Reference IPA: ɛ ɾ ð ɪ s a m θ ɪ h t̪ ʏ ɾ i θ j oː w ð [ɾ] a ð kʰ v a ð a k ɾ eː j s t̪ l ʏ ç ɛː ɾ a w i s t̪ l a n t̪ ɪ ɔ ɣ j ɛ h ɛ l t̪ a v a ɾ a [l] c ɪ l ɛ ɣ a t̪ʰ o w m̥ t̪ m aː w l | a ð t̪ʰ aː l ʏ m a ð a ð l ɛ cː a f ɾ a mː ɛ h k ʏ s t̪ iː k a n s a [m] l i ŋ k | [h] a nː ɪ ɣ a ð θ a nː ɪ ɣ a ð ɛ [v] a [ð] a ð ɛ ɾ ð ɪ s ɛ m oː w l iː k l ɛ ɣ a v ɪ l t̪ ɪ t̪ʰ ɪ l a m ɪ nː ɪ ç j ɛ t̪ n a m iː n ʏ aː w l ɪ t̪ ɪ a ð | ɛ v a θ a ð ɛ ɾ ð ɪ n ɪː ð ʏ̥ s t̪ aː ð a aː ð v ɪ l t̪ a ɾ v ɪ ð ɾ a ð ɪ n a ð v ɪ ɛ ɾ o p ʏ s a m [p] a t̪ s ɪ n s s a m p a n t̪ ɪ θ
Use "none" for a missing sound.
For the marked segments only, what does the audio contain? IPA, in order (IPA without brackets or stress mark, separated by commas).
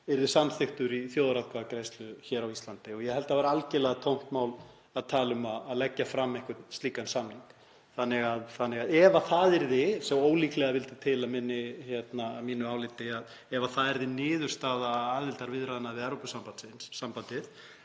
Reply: ɾ, l, m, θ, v, θ, p